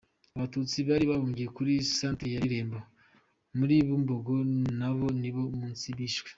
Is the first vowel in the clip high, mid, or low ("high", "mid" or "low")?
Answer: low